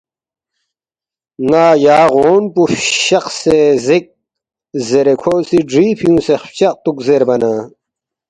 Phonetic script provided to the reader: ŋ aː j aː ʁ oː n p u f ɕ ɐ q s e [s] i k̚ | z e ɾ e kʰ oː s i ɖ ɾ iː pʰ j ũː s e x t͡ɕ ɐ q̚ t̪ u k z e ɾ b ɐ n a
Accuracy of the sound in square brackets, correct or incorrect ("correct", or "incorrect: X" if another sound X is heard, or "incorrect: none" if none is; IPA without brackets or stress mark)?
incorrect: z